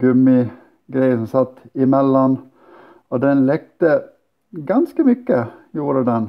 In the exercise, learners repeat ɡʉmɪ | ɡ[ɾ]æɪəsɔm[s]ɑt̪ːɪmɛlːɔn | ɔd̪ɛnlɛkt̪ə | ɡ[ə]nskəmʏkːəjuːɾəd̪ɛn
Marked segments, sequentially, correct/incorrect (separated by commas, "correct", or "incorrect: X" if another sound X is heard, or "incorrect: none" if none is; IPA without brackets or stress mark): correct, correct, incorrect: ɑ